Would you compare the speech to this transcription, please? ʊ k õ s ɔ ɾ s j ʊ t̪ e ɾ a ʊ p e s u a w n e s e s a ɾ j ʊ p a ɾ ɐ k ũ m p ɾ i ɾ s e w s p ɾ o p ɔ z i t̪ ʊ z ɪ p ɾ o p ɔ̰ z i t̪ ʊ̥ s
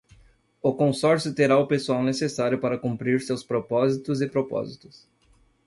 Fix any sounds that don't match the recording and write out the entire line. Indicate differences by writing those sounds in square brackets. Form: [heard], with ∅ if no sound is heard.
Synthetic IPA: ʊ k õ s ɔ ɾ s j ʊ t̪ e ɾ a ʊ p e s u a w n e s e s a ɾ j ʊ p a ɾ ɐ k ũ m p ɾ i ɾ s e w s p ɾ o p ɔ z i t̪ ʊ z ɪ p ɾ o p ɔ̰ z i t̪ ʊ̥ s

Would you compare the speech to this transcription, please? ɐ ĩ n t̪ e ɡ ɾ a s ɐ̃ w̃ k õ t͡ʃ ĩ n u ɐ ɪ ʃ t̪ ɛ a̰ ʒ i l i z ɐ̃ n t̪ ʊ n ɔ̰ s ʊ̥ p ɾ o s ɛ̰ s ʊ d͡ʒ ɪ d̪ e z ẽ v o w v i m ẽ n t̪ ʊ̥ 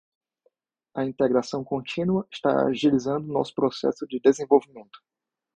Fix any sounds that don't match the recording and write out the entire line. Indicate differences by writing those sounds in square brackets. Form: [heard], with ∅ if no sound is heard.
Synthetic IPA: ɐ ĩ n t̪ e ɡ ɾ a s ɐ̃ w̃ k õ t͡ʃ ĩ n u ɐ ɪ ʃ t̪ [a] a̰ ʒ i l i z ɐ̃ n [d̪] ʊ n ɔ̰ s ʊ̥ p ɾ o s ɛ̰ s ʊ d͡ʒ ɪ d̪ e z ẽ v o w v i m ẽ n t̪ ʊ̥

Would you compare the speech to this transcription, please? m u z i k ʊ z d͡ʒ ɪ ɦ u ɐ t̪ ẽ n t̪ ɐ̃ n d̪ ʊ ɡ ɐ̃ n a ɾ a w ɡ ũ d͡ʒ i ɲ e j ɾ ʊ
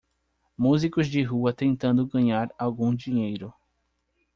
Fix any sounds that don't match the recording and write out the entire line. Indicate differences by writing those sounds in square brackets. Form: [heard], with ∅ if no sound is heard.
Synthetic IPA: m u z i k ʊ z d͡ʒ ɪ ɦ u ɐ t̪ ẽ n t̪ ɐ̃ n d̪ ʊ ɡ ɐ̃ [ɲ] a ɾ a w ɡ ũ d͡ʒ i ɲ e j ɾ ʊ

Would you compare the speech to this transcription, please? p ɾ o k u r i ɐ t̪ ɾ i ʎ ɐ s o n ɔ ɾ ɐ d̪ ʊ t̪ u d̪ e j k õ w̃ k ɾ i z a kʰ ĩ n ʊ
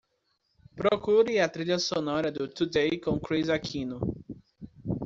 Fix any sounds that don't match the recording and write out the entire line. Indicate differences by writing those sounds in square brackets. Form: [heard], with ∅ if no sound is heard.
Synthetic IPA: p ɾ o k u [ɾ] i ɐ t̪ ɾ i ʎ ɐ s o n ɔ ɾ ɐ d̪ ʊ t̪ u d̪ e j k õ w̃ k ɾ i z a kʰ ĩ n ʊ

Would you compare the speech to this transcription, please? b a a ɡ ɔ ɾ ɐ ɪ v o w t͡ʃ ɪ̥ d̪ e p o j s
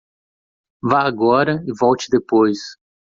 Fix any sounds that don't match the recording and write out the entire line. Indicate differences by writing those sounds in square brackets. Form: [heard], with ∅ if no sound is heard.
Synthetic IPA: [v] a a ɡ ɔ ɾ ɐ ɪ v [ɔ] w t͡ʃ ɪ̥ d̪ e p o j s

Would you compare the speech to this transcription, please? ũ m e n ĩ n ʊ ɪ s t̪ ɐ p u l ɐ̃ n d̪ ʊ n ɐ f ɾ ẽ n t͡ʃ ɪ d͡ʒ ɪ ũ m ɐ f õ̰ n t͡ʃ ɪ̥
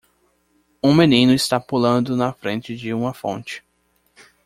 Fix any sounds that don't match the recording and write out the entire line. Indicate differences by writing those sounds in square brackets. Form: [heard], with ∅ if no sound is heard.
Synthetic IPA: ũ m e n ĩ n ʊ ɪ s t̪ [a] p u l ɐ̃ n d̪ ʊ n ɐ f ɾ ẽ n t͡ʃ ɪ d͡ʒ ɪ ũ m ɐ f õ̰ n t͡ʃ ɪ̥

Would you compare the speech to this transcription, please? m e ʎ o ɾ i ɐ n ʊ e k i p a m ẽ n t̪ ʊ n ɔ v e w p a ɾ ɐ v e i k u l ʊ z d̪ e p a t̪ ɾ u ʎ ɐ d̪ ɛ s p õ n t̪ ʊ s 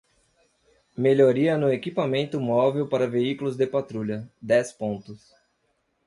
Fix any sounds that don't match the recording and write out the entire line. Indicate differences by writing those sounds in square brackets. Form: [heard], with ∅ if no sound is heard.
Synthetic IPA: m e ʎ o ɾ i ɐ n ʊ e k i p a m ẽ n t̪ ʊ [m] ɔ v e w p a ɾ ɐ v e i k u l ʊ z d̪ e p a t̪ ɾ u ʎ ɐ d̪ ɛ s p õ n t̪ ʊ s

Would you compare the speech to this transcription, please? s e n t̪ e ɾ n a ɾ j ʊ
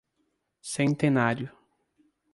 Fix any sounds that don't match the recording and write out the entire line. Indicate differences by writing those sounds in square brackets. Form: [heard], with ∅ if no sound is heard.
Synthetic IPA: s [ẽ] n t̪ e [∅] n a ɾ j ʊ

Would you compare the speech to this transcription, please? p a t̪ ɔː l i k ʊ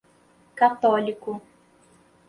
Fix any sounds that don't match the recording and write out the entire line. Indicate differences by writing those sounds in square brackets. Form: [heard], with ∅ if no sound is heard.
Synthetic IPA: [k] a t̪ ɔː l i k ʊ

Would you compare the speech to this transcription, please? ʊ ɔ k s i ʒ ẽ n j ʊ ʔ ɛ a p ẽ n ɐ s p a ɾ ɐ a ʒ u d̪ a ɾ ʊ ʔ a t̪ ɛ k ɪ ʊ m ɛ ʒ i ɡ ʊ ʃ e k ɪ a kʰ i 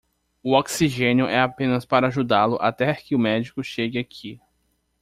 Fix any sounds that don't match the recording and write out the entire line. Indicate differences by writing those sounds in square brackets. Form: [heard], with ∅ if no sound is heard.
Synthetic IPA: ʊ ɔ k s i ʒ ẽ n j ʊ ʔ ɛ a p ẽ n ɐ s p a ɾ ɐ a ʒ u d̪ a [l] ʊ ʔ a t̪ ɛ k ɪ ʊ m ɛ [d͡ʒ] i [k] ʊ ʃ e [ɡ] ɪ a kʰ i

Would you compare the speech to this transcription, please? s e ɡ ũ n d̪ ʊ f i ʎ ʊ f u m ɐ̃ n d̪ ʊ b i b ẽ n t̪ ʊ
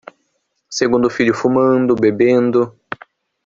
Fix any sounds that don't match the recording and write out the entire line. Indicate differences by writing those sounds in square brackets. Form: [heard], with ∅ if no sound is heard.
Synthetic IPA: s e ɡ ũ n d̪ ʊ f i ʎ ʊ f u m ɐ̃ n d̪ ʊ b [e] b ẽ n [d̪] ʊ

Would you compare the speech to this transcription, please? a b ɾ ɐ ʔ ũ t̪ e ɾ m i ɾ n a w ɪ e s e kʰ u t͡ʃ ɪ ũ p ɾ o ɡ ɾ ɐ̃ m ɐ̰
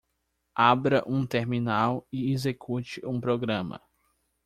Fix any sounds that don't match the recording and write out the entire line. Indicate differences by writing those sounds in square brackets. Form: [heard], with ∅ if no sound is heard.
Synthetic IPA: a b ɾ ɐ ʔ ũ t̪ e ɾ m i [∅] n a w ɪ e [z] e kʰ u t͡ʃ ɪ ũ p ɾ o ɡ ɾ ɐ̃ m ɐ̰

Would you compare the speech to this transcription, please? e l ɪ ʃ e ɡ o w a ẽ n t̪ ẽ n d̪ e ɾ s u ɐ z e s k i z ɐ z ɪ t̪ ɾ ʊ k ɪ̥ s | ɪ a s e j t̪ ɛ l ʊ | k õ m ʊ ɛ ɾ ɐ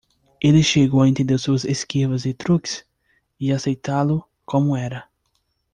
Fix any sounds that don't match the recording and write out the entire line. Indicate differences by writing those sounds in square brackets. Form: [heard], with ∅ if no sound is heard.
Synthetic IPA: e l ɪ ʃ e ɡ o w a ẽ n t̪ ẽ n d̪ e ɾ s u ɐ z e s k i [v] ɐ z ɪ t̪ ɾ [u] k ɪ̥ s | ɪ a s e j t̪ [a] l ʊ | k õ m ʊ ɛ ɾ ɐ

